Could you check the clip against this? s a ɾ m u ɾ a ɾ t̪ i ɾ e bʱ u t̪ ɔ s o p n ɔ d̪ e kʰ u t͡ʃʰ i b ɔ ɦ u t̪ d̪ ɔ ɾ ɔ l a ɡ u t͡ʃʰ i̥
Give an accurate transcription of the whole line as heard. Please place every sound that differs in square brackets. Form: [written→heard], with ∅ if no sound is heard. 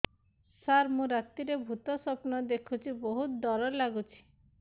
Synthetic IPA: s a ɾ m [u→ũ] ɾ a [ɾ→∅] t̪ i ɾ e bʱ u t̪ ɔ s [o→ɔ] p n ɔ d̪ e kʰ u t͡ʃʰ i b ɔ ɦ u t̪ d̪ ɔ ɾ ɔ l a ɡ u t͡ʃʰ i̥